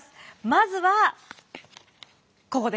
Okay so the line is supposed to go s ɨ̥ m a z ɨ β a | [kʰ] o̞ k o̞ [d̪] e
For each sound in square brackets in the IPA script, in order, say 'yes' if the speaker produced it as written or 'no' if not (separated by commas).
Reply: no, yes